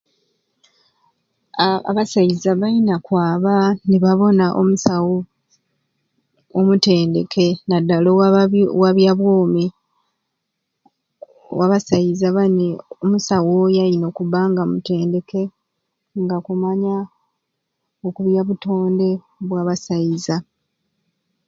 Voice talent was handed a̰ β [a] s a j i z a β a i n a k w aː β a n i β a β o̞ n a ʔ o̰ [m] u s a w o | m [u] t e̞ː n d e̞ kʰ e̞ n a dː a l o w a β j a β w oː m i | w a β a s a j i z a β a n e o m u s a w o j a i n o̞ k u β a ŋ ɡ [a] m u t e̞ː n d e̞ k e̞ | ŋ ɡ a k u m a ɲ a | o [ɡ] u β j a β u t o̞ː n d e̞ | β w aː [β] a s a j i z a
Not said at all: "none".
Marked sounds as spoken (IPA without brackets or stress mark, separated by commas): a, m, u, a, k, β